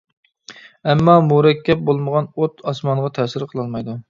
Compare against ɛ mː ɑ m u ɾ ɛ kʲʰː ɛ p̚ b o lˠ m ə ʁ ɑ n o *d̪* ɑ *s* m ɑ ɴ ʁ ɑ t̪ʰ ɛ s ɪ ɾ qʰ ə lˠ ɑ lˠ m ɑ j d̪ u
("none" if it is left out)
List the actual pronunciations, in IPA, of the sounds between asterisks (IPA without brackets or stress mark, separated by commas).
t̪, s